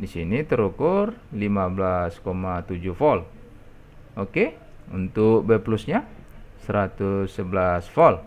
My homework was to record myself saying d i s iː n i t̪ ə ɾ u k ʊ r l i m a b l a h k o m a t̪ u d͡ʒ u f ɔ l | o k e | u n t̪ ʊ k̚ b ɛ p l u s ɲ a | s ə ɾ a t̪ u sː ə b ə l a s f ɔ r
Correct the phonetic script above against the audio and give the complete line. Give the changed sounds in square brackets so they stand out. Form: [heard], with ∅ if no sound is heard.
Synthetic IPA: d i s [i] n i t̪ ə ɾ u k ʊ r l i m a b l a [s] k o m a t̪ u d͡ʒ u f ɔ l | o k e | u n t̪ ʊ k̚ b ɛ p l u s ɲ a | s ə ɾ a t̪ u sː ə b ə l a s f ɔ [l]

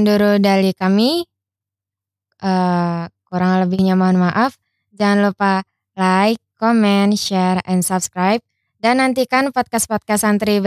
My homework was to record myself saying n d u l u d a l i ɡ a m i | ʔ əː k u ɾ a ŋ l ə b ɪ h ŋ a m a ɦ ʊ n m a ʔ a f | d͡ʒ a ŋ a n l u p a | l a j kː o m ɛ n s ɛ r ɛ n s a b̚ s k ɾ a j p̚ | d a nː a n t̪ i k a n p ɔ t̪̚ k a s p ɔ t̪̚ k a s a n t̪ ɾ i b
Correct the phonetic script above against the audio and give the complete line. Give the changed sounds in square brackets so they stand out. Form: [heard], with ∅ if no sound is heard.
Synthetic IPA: n d u [ɾ] u d a l i [k] a m i | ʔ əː k u ɾ a ŋ l ə b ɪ h [ɲ] a m a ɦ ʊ n m a ʔ a f | d͡ʒ a ŋ a n l u p a | l a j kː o m ɛ n [ʃ] ɛ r ɛ n s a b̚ s k ɾ a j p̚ | d a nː a n t̪ i k a n p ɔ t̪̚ k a s p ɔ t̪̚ k a s a n t̪ ɾ i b

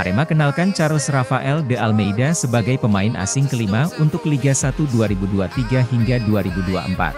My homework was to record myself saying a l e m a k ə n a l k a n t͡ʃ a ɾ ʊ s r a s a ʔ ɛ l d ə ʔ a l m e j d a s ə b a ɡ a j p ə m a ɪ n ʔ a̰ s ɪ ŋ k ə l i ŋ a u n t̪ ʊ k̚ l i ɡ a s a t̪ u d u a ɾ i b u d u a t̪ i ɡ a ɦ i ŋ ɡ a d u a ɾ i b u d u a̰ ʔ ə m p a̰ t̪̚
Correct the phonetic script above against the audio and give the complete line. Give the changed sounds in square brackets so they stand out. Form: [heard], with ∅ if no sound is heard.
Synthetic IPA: a [ɾ] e m a k ə n a l k a n t͡ʃ a ɾ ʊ s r a [f] a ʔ ɛ l d ə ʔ a l m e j d a s ə b a ɡ a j p ə m a ɪ n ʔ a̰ s ɪ ŋ k ə l i [m] a u n t̪ ʊ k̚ l i ɡ a s a t̪ u d u a ɾ i b u d u a t̪ i ɡ a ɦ i ŋ ɡ a d u a ɾ i b u d u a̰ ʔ ə m p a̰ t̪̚

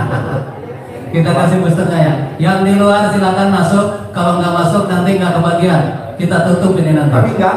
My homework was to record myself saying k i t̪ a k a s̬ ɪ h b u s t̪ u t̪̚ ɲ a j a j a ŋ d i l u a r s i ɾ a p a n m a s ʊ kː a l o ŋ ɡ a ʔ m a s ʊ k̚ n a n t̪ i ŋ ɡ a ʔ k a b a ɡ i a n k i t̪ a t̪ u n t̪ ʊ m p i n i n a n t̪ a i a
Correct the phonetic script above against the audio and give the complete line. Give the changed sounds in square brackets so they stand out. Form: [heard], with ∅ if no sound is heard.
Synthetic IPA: k i t̪ a k a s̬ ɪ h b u s t̪ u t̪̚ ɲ a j a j a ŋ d i l u a r s i [l] a [k] a n m a s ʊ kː a l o ŋ ɡ a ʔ m a s ʊ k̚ n a n t̪ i ŋ ɡ a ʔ k [ə] b a ɡ i a n k i t̪ a t̪ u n t̪ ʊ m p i n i n a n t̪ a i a

